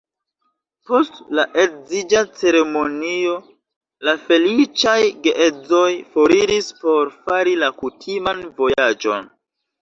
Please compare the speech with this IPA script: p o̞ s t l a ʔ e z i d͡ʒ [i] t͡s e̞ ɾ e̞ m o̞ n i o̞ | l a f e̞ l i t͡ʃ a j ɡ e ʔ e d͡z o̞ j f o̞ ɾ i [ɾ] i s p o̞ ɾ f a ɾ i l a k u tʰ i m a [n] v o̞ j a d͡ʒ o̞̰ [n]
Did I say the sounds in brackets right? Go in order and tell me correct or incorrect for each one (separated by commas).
incorrect, correct, correct, correct